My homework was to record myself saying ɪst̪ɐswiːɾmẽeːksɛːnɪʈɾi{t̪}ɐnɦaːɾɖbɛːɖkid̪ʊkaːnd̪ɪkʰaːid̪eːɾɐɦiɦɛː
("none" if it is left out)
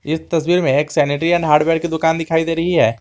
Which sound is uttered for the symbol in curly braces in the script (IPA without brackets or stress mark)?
none